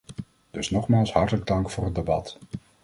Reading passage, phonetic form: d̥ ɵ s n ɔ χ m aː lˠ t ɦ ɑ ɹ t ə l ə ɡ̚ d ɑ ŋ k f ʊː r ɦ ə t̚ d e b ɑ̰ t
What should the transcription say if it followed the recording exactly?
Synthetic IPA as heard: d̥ ɵ s n ɔ χ m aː lˠ s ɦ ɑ ɹ t ə l ə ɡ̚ d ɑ ŋ k f ʊː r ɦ ə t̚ d e b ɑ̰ t